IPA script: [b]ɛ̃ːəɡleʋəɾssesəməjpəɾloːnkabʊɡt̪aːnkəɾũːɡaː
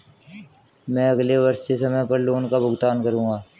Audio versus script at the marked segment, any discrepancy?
yes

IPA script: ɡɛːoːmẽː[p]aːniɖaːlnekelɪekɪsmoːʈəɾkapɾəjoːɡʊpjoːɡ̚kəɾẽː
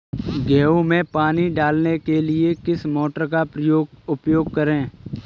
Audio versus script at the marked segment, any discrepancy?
no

